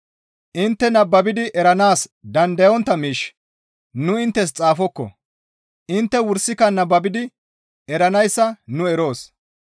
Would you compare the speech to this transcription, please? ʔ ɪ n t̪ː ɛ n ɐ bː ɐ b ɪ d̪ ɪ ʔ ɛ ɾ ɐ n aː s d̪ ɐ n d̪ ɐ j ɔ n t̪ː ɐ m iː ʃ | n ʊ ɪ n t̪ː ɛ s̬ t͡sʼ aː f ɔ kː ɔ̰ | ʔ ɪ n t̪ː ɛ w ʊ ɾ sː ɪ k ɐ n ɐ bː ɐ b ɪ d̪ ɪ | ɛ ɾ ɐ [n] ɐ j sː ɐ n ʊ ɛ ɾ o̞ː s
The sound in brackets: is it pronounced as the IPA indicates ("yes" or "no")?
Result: yes